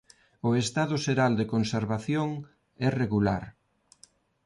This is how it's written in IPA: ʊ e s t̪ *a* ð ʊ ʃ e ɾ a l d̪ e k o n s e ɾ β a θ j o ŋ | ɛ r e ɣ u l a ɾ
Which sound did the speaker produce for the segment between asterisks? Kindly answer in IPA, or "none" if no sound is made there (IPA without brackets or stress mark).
a